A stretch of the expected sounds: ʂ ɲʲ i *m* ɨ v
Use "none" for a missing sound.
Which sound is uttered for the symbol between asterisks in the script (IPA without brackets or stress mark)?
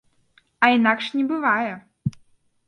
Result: b